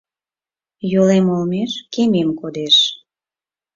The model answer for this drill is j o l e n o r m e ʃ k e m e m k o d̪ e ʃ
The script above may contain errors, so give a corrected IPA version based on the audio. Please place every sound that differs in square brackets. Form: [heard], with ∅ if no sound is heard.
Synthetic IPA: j o l e [m] o [l] m e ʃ k e m e m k o d̪ e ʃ